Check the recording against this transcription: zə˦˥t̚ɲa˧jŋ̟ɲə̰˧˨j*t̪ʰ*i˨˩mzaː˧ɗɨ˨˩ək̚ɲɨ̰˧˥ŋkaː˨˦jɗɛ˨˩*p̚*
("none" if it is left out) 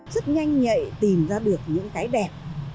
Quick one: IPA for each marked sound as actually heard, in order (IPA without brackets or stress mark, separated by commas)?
t̪, p̚